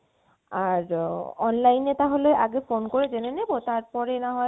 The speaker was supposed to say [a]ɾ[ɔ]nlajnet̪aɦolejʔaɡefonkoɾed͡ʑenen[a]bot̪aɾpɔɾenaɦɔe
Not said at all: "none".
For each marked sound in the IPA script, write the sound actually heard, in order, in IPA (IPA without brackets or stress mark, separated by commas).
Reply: a, ɔ, e